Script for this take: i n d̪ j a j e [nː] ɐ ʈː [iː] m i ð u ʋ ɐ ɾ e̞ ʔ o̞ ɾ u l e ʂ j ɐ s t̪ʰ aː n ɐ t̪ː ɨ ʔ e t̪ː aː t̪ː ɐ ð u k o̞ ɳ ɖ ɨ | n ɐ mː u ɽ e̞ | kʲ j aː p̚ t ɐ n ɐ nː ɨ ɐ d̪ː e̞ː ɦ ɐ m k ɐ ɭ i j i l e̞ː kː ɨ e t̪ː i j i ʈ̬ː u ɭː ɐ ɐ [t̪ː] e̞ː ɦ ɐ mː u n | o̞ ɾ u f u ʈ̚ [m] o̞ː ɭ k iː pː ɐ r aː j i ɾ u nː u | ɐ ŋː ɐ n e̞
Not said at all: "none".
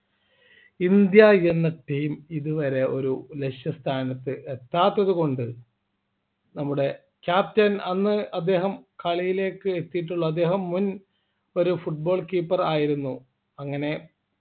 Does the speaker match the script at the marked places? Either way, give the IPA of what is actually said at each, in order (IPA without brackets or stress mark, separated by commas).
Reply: nː, iː, d̪ː, b